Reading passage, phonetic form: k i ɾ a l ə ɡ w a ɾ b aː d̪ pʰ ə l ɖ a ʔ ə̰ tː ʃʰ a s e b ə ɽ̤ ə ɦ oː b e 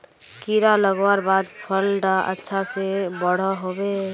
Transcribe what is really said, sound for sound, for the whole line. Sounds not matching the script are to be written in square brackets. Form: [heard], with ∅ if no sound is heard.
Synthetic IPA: k i ɾ a l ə ɡ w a ɾ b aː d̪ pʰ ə l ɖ a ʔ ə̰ tː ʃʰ a s e b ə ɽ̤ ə ɦ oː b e